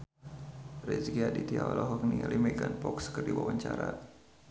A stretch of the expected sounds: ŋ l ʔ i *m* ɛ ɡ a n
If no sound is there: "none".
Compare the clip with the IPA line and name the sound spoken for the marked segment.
m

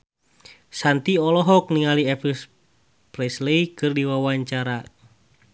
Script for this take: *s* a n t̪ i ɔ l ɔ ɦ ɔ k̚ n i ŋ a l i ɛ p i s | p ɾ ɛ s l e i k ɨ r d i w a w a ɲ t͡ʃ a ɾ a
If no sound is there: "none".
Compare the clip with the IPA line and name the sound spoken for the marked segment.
s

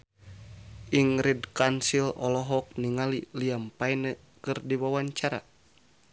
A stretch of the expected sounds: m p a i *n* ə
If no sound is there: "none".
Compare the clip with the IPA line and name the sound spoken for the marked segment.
n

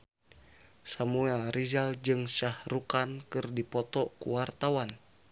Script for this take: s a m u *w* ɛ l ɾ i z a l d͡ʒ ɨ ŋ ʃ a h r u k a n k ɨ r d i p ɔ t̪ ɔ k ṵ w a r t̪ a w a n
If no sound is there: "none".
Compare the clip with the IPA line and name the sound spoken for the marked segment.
none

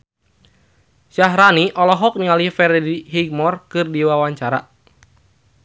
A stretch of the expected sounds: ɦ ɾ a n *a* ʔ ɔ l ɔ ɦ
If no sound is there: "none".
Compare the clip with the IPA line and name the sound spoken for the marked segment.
i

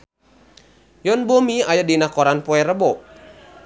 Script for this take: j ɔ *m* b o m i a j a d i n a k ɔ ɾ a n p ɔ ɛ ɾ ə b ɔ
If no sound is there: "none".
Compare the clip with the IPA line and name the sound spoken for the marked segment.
n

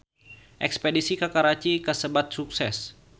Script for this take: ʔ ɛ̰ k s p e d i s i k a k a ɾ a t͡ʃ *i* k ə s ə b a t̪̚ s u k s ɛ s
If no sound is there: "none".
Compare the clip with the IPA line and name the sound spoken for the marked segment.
i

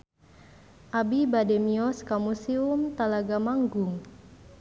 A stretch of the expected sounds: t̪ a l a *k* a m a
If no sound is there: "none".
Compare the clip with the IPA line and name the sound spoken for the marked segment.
ɡ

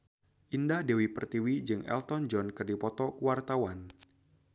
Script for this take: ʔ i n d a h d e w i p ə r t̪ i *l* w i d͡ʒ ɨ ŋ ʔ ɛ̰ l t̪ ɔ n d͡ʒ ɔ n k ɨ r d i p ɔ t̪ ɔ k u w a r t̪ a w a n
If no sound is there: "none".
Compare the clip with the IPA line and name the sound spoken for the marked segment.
none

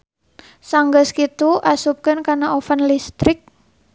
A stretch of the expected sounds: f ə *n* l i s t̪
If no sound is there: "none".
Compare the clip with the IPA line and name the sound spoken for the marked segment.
n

